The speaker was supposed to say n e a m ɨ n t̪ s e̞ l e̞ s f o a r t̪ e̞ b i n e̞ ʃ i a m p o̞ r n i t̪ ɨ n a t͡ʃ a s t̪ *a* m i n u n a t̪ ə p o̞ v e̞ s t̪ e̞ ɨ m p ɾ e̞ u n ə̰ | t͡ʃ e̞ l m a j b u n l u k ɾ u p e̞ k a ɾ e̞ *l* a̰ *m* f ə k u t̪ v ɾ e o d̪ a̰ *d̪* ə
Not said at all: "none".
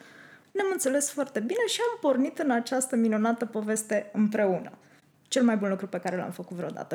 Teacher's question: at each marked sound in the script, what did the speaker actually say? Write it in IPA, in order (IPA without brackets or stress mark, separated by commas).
ə, l, m, t̪